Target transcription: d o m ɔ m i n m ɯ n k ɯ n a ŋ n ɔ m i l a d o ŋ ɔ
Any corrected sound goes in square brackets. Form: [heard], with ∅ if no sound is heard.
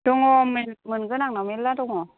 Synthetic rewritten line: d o [ŋ] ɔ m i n m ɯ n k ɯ n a ŋ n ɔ m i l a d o ŋ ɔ